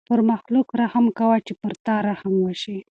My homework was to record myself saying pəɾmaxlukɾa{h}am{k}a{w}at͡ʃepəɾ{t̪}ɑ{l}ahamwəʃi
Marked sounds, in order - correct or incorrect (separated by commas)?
correct, correct, correct, correct, incorrect